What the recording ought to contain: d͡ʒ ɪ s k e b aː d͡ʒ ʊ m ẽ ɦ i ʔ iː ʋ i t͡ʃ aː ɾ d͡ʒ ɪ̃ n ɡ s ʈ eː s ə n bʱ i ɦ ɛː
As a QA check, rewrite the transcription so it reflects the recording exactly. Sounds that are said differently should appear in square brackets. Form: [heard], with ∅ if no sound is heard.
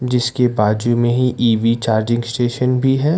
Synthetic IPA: d͡ʒ ɪ s k e b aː d͡ʒ [u] m ẽ ɦ i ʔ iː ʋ i t͡ʃ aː ɾ d͡ʒ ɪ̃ [ŋ] ɡ s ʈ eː [ʃ] ə n bʱ i ɦ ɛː